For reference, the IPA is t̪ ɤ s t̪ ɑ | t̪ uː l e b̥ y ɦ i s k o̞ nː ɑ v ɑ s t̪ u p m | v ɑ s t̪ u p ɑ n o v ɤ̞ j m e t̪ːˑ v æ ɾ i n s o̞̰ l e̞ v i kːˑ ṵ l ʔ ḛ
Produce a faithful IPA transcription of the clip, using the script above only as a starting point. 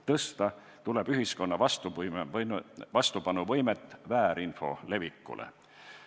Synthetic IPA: t̪ ɤ s t̪ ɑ | t̪ u l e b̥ y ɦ i s k o̞ nː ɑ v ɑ s t̪ u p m | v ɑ s t̪ u p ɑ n u v ɤ̞ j m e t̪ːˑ v æː ɾ i n f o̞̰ l e̞ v i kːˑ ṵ l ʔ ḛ